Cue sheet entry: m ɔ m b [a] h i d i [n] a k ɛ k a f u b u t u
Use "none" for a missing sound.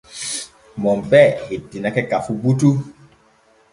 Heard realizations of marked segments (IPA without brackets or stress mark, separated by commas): ɛ, n